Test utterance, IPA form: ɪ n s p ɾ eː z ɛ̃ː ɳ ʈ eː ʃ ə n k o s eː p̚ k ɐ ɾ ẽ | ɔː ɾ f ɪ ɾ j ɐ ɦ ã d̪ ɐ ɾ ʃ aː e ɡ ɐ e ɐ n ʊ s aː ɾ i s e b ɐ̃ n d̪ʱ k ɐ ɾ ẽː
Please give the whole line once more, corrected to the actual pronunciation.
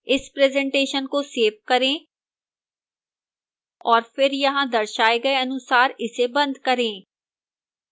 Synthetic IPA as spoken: ɪ s p ɾ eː z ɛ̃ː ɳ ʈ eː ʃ ə n k o s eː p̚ k ɐ ɾ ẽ | ɔː ɾ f ɪ ɾ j ɐ ɦ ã d̪ ɐ ɾ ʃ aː e ɡ ɐ e ɐ n ʊ s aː ɾ ɪ s e b ɐ̃ n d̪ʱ k ɐ ɾ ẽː